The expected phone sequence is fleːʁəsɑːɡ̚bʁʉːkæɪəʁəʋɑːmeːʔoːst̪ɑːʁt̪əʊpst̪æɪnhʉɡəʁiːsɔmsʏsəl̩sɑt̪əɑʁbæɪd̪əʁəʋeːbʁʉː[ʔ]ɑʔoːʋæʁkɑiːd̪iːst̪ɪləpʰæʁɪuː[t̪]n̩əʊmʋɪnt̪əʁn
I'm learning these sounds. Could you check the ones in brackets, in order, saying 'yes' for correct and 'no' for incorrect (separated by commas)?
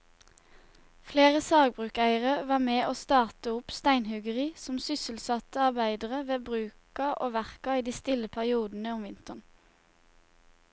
no, no